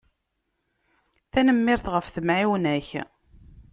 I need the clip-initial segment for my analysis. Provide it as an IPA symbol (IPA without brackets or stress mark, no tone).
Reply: θ